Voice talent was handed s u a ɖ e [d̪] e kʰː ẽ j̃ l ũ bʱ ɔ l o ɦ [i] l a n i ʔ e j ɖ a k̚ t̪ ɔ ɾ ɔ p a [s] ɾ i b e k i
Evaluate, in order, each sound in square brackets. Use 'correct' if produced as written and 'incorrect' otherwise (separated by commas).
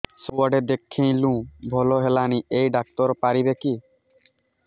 correct, incorrect, incorrect